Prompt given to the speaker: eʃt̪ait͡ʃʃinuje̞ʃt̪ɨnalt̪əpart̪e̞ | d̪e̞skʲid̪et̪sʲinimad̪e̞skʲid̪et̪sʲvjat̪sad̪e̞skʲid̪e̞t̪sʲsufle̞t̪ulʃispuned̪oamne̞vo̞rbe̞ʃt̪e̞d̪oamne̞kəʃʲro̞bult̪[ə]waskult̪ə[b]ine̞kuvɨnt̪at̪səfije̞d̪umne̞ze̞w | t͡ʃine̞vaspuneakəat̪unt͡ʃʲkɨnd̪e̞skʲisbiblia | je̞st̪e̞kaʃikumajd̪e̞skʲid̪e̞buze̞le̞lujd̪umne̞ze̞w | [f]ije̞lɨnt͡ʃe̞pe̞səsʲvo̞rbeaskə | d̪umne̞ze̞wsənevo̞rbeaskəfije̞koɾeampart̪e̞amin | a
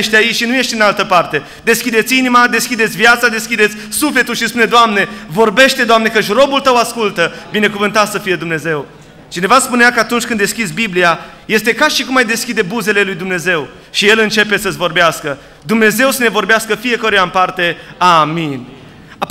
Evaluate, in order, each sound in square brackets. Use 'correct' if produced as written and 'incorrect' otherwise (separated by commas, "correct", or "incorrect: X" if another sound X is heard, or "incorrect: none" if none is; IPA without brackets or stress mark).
correct, correct, incorrect: ʃ